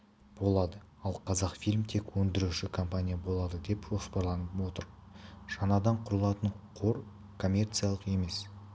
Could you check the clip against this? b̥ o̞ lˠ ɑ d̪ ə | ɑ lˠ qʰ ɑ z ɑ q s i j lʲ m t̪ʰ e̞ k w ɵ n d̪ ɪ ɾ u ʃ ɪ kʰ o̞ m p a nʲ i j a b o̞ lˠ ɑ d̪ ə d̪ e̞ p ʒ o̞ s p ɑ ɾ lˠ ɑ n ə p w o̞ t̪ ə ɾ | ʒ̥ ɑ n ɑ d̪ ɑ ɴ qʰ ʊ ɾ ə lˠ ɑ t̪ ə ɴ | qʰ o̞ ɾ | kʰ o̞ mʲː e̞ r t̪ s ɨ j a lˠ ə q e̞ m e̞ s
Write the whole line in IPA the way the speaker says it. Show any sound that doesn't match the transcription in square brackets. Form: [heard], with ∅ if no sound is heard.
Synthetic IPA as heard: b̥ o̞ lˠ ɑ d̪ ə | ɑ lˠ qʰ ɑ z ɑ q [f] i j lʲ m t̪ʰ e̞ k w ɵ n d̪ ɪ ɾ u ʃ ɪ kʰ o̞ m p a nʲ i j a b o̞ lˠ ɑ d̪ ə d̪ e̞ p ʒ o̞ s p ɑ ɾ lˠ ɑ n ə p w o̞ t̪ ə ɾ | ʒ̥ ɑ n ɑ d̪ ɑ ɴ qʰ ʊ ɾ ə lˠ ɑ t̪ ə ɴ | qʰ o̞ ɾ | kʰ o̞ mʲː e̞ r t̪ s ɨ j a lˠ ə q e̞ m e̞ s